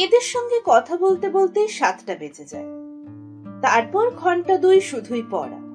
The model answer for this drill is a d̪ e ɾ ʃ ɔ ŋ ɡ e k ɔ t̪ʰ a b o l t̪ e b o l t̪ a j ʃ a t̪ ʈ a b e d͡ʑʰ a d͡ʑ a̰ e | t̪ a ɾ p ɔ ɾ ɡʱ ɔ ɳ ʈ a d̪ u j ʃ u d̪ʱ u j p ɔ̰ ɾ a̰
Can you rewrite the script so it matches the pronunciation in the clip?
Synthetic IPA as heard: e d̪ e ɾ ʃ ɔ ŋ ɡ e k ɔ t̪ʰ a b o l t̪ e b o l t̪ e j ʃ a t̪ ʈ a b e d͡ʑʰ e d͡ʑ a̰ e | t̪ a ɾ p ɔ ɾ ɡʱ ɔ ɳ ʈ a d̪ u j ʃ u d̪ʱ u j p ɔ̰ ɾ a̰